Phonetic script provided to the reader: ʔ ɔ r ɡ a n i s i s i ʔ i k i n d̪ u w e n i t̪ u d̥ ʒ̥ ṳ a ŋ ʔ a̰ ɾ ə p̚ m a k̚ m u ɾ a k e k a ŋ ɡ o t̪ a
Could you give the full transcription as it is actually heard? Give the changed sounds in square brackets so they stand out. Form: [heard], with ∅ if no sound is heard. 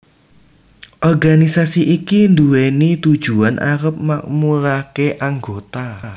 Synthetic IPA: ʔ ɔ r ɡ a n i s [a] s i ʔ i k i n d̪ u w e n i t̪ u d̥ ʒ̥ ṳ a [n] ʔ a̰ ɾ ə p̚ m a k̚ m u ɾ a k e [ʔ] a ŋ ɡ o t̪ a

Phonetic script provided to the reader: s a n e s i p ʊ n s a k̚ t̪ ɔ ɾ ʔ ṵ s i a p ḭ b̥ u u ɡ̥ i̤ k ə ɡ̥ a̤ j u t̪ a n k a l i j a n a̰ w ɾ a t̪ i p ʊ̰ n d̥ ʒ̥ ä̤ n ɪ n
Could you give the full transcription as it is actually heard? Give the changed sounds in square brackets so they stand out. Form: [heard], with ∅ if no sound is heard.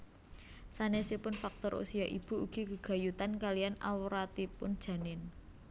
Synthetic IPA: s a n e s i p ʊ n [f] a k̚ t̪ ɔ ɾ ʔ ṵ s i a [ʔ] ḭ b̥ u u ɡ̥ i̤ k ə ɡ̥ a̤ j u t̪ a n k a l i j a n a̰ w ɾ a t̪ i p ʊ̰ n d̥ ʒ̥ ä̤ n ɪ n

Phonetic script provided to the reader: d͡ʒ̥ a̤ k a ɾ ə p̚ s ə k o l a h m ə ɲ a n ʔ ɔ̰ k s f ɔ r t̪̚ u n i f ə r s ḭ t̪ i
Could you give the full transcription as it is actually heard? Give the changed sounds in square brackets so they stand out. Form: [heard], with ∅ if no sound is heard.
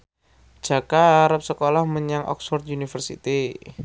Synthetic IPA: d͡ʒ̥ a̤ k a ɾ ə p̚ s ə k o l a h m ə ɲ a [ŋ] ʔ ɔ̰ k s f ɔ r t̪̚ u n i f ə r s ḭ t̪ i

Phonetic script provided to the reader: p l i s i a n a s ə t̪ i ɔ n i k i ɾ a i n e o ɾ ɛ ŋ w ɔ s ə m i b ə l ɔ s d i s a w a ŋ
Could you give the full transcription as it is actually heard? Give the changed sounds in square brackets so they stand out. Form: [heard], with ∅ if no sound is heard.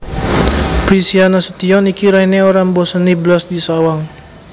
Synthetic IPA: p [ɾ] i s i a n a s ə t̪ i ɔ n i k i ɾ a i n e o ɾ [a] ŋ [b] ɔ s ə [n] i b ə l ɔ s d i s a w a ŋ

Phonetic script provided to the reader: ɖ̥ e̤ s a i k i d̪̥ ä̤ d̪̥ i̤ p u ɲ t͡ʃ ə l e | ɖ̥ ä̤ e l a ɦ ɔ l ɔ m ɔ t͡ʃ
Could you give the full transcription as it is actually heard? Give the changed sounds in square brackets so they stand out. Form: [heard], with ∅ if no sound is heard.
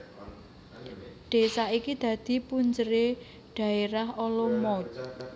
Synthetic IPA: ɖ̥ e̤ s a i k i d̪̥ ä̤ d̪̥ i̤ p u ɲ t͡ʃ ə [ɾ] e | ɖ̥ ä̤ e [ɾ] a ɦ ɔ l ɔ m ɔ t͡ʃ

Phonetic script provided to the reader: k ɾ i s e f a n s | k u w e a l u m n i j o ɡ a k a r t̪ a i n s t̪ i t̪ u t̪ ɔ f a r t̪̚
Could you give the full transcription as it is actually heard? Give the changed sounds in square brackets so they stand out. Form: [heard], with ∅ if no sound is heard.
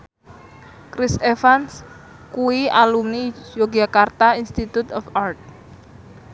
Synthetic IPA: k ɾ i s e f a n s | k u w [i] a l u m n i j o ɡ a k a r t̪ a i n s t̪ i t̪ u t̪ ɔ f a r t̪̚

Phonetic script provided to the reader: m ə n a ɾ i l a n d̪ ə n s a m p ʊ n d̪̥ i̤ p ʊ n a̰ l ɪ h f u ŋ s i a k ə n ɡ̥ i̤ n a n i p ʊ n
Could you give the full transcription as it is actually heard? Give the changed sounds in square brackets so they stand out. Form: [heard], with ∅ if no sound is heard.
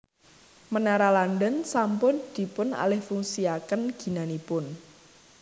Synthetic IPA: m ə n a ɾ [a] l a n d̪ ə n s a m p ʊ n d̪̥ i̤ p ʊ n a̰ l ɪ h f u ŋ s i a k ə n ɡ̥ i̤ n a n i p ʊ n

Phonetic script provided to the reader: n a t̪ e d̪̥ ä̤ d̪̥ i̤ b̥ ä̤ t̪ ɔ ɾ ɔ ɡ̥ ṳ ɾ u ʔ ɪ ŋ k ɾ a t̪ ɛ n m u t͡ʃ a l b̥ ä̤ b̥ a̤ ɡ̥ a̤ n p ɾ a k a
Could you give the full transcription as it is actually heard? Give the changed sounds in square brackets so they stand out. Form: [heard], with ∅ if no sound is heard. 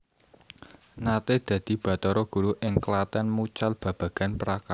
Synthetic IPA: n a t̪ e d̪̥ ä̤ d̪̥ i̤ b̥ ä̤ t̪ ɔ ɾ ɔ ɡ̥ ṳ ɾ u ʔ ɪ ŋ k [l] a t̪ ɛ n m u t͡ʃ a l b̥ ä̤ b̥ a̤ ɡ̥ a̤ n p ɾ a k a

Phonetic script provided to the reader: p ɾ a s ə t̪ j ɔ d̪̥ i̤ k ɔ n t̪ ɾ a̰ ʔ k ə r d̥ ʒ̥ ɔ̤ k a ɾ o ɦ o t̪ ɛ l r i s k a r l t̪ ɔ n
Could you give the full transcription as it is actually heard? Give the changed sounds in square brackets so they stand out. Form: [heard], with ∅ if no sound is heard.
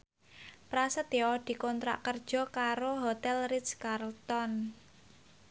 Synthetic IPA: p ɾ a s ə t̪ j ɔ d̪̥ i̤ k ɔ n t̪ ɾ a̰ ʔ k ə r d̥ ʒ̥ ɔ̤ k a ɾ o ɦ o t̪ ɛ l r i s k a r l t̪ ɔ n

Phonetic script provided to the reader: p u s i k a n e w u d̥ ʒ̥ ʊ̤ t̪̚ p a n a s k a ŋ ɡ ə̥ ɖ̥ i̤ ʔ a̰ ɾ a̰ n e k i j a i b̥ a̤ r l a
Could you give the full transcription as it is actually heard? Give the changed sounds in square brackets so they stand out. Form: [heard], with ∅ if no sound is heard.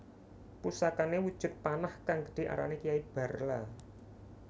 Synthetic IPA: p u s [a] k a n e w u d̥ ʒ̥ ʊ̤ t̪̚ p a n a [h] k a ŋ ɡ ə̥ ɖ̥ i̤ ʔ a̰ ɾ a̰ n e k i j a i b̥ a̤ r l a

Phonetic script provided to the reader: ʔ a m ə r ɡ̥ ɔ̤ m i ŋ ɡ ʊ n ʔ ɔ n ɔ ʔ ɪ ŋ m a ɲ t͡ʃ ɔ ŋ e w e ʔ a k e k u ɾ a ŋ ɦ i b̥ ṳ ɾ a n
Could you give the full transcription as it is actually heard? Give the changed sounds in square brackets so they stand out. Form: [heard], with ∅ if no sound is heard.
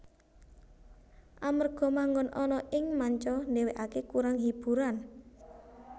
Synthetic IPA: ʔ a m ə r ɡ̥ ɔ̤ m [a] ŋ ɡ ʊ n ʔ ɔ n ɔ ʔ ɪ ŋ m a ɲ t͡ʃ ɔ [n] e w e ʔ a k e k u ɾ a ŋ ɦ i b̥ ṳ ɾ a n

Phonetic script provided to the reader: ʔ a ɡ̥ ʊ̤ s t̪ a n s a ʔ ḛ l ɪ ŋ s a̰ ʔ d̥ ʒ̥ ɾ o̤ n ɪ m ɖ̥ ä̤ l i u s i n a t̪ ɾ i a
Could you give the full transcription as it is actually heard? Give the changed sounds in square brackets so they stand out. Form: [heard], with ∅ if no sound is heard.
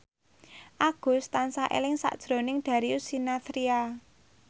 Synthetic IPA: ʔ a ɡ̥ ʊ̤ s t̪ a n s a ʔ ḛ l ɪ ŋ s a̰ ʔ d̥ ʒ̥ ɾ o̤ n ɪ [ŋ] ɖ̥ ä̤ [ɾ] i u s i n a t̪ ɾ i a

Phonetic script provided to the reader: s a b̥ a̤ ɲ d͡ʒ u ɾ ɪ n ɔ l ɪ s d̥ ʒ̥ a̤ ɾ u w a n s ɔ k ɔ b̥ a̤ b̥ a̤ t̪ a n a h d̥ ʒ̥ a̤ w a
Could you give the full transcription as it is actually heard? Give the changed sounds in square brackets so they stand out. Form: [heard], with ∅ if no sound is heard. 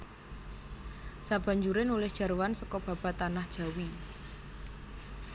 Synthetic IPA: s a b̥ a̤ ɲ d͡ʒ u ɾ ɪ n [u] l ɪ [h] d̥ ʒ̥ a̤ ɾ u w a n s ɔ k ɔ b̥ a̤ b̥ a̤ t̪ a n a h d̥ ʒ̥ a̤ w [i]

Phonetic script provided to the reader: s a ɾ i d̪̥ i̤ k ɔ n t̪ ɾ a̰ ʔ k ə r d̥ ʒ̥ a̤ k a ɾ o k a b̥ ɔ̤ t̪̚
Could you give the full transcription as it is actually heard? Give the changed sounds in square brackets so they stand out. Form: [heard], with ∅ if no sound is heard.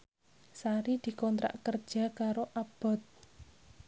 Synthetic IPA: s a ɾ i d̪̥ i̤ k ɔ n t̪ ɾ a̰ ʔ k ə r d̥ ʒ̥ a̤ k a ɾ o [ʔ] a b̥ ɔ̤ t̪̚

